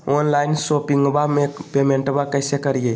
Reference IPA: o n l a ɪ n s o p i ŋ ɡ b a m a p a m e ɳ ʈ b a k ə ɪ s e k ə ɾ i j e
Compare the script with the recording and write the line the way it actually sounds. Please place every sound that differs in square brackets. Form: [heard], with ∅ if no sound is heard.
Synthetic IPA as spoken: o n l a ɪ n s o p i ŋ ɡ b a m [e] p [e] m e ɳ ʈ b a k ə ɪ s e k ə ɾ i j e